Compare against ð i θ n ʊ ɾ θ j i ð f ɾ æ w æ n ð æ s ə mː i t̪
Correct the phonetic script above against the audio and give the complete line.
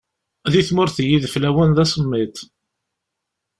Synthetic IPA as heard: ð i θ m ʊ ɾ θ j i ð f l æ w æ n ð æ s ə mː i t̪

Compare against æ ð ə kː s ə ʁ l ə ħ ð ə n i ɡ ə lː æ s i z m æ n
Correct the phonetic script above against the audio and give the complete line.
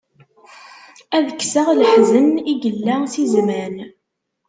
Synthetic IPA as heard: æ ð ə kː s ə ʁ l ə ħ z ə n i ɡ ə lː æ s i z m æ n

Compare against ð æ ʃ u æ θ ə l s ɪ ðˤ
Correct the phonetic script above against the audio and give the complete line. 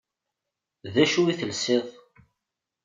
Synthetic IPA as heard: ð æ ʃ u i θ ə l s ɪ ðˤ

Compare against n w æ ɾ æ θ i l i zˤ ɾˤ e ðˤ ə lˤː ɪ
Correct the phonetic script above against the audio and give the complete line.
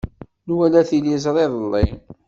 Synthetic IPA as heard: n w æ l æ θ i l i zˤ ɾˤ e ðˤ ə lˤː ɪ

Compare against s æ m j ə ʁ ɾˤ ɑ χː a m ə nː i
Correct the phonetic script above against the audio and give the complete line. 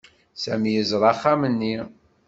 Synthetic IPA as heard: s æ m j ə z ɾˤ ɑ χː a m ə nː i

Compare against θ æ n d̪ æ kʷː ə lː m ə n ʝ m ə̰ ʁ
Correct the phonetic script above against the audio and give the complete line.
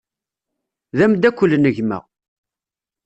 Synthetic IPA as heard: ð æ m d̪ æ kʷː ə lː n ə ʝ m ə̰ ʁ

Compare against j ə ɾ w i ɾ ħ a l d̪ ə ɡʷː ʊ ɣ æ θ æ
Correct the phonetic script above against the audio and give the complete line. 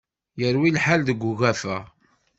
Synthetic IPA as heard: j ə ɾ w i l ħ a l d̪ ə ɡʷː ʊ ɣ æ f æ

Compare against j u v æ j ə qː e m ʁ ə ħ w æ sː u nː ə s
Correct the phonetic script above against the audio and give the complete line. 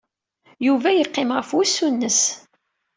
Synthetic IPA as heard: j u v æ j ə qː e m ʁ ə f w æ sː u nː ə s

